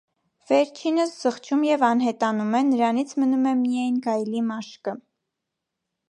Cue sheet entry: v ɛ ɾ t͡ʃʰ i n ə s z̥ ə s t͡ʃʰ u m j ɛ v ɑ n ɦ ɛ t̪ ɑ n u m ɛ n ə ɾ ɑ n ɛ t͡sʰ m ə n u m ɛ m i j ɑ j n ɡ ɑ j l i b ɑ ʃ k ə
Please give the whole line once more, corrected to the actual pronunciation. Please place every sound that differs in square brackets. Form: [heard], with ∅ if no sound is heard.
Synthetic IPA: v ɛ ɾ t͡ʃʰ i n ə s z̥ ə [χ] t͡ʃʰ u m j ɛ v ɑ n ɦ ɛ t̪ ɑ n u m ɛ n ə ɾ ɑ n [i] t͡sʰ m ə n u m ɛ m i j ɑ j n ɡ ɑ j l i [m] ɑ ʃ k ə